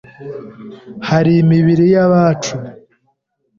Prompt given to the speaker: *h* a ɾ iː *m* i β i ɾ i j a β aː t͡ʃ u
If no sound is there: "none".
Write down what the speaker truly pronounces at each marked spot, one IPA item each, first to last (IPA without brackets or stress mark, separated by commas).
h, m